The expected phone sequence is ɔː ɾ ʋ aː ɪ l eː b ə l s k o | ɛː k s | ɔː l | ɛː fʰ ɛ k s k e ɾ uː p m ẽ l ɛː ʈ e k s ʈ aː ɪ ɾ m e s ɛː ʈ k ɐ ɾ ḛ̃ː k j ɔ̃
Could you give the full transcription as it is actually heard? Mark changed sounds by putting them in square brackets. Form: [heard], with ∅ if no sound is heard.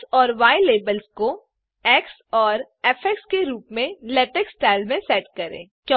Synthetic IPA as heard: ɔː ɾ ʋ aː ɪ l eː b ə l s k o | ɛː k s | ɔː [ɾ] | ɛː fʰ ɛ k s k e ɾ uː p m ẽ l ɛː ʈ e k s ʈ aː ɪ [l] m [ẽ] s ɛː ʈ k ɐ ɾ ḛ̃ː k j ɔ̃